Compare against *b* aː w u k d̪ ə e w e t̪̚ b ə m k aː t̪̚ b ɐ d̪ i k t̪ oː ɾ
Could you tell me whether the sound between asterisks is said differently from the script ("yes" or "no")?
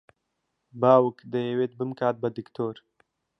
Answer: no